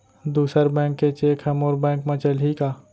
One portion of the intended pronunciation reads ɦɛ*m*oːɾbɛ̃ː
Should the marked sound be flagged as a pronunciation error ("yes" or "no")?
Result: no